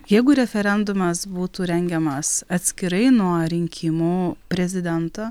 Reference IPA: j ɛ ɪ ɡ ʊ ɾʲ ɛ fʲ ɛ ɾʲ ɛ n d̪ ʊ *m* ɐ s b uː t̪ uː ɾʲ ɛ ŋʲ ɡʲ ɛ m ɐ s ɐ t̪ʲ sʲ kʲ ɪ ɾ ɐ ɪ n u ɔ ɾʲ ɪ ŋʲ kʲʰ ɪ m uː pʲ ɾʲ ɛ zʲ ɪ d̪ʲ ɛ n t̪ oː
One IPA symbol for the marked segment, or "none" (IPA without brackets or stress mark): m